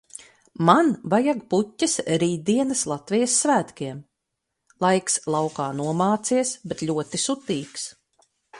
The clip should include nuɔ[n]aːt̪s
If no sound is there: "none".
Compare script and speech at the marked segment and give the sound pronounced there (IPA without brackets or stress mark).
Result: m